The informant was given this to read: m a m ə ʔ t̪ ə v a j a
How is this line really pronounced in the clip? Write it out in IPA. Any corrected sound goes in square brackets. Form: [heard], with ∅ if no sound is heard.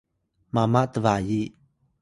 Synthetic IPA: m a m [a] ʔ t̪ ə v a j [i]

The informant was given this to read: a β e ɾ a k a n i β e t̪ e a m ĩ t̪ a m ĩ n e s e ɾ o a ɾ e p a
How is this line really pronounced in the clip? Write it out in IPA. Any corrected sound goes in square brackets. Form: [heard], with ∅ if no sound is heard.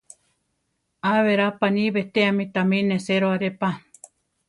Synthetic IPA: a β e ɾ a [p] a n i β e t̪ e a m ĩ t̪ a m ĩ n e s e ɾ o a ɾ e p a

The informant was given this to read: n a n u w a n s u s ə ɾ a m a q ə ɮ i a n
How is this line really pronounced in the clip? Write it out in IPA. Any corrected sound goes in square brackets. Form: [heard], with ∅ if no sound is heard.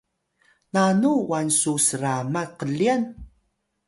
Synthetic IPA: n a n u w a n s u s ə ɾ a m a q ə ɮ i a n

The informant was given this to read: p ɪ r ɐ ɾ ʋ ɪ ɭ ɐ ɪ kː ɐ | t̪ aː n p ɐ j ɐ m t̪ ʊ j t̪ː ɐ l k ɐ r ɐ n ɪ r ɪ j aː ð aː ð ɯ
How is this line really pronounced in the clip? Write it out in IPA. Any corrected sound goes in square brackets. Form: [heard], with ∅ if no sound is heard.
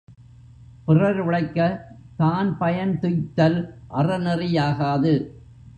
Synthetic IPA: p ɪ r ɐ ɾ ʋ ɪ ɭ ɐ ɪ kː ɐ | t̪ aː n p ɐ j ɐ [n] t̪ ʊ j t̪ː ɐ l [ʔ] ɐ r ɐ n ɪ r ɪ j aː [ɣ] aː ð ɯ

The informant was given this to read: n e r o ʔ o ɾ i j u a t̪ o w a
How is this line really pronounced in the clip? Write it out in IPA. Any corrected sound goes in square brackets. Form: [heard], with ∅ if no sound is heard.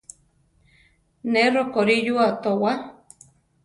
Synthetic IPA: n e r o [k] o ɾ i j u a t̪ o w a

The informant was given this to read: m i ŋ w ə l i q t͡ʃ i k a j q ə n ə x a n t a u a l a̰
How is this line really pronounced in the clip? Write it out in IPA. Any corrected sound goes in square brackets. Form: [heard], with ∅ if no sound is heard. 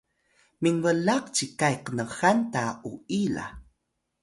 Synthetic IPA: m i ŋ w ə l [a] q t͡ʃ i k a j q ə n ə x a n t a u [i] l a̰

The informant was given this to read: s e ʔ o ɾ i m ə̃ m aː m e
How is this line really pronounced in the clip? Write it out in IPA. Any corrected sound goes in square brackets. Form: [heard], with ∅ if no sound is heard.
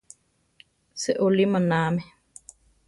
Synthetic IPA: s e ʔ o [l] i m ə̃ [n] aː m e

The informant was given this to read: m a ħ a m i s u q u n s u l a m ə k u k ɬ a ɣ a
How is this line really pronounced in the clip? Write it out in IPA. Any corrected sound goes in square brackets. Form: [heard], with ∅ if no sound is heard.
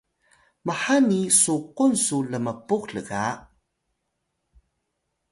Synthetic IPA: m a ħ a [n] i s u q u n s u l [ə] m ə [p] u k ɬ [ə] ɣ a

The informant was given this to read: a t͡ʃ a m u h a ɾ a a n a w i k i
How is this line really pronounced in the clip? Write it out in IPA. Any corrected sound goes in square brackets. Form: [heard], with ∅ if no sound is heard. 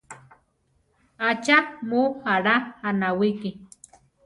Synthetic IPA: a t͡ʃ a m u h a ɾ a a n a w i k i

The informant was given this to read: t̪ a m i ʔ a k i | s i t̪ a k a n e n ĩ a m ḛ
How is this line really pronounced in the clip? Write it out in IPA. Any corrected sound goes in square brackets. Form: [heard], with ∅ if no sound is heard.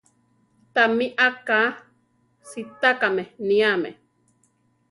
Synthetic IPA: t̪ a m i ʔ a k [a] | s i t̪ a k a [m] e n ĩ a m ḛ

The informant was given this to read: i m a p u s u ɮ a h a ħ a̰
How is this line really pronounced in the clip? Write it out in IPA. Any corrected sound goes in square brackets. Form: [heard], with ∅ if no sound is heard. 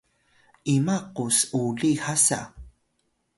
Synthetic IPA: i m a [q] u s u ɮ [i] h a [s] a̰

